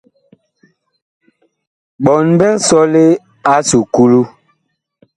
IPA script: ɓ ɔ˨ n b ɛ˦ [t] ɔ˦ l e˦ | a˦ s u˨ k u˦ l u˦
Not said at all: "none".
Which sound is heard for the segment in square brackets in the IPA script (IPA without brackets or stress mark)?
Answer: s